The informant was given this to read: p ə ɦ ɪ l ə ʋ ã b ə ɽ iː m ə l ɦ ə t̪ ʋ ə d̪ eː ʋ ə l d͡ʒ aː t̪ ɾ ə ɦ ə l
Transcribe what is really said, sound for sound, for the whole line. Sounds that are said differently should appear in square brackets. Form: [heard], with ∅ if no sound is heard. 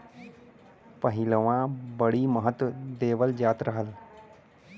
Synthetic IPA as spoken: p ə ɦ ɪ l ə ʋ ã b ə ɽ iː m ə [∅] ɦ ə t̪ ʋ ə d̪ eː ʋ ə l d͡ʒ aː t̪ ɾ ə ɦ ə l